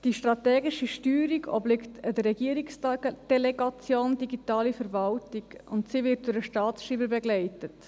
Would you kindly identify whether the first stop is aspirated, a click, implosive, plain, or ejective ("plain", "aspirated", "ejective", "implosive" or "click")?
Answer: plain